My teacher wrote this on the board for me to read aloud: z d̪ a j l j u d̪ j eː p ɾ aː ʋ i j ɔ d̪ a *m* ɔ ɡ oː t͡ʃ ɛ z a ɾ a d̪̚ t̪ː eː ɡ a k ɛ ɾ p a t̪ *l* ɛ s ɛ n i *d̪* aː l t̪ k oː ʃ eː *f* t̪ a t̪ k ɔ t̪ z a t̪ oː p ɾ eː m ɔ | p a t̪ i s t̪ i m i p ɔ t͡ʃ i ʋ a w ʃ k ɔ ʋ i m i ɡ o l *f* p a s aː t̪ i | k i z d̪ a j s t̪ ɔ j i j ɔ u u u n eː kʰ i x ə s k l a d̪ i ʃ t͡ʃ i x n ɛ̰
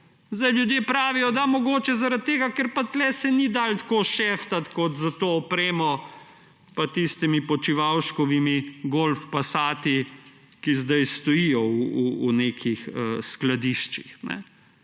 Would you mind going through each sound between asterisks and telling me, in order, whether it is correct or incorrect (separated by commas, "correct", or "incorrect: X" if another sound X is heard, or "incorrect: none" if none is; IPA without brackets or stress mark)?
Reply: correct, correct, correct, correct, correct